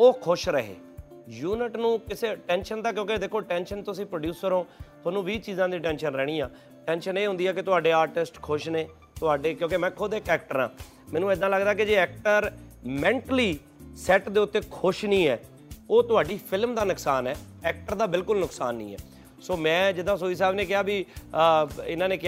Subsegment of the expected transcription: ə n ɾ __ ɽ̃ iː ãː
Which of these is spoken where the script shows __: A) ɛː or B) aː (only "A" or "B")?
A